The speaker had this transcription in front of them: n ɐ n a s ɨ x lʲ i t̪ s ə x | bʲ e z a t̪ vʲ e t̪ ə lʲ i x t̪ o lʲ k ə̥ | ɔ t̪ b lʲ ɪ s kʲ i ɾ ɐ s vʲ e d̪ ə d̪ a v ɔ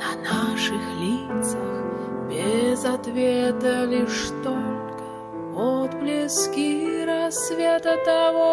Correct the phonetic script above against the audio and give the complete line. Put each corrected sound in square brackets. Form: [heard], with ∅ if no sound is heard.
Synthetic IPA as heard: n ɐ n a [ʂ] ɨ x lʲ i t̪ s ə x | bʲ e z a t̪ vʲ e t̪ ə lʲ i [ʂ] t̪ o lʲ k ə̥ | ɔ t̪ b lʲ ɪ s kʲ i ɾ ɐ s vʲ e [t̪] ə [t̪] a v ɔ